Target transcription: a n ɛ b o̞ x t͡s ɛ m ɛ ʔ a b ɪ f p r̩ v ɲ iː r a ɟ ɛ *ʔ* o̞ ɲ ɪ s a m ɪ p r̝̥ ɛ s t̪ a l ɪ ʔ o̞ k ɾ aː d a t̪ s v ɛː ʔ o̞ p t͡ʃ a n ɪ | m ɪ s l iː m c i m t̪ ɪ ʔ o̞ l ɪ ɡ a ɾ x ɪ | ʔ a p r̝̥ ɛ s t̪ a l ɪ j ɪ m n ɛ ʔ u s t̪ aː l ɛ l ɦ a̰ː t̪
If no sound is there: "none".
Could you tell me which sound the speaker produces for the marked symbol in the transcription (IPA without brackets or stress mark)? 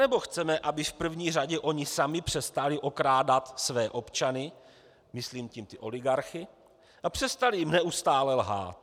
ʔ